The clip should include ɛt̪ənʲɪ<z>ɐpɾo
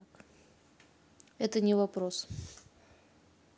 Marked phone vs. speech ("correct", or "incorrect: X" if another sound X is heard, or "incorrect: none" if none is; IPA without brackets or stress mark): incorrect: v